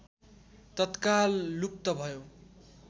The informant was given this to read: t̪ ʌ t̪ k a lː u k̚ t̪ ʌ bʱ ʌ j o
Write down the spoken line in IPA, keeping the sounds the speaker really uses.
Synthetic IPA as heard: t̪ ʌ t̪ k a lː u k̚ t̪ ʌ bʱ ʌ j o